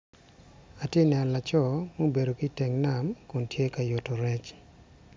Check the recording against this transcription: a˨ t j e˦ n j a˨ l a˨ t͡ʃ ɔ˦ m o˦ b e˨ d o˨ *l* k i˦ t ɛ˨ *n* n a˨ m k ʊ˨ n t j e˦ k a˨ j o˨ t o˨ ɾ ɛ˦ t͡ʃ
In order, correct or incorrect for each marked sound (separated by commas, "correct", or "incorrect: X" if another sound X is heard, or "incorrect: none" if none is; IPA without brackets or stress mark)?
incorrect: none, incorrect: ŋ